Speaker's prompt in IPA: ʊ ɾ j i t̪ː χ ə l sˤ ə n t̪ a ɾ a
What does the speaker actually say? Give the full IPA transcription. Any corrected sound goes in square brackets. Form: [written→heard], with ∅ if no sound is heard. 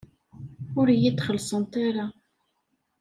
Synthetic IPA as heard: ʊ ɾ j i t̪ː χ ə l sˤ ə n t̪ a ɾ a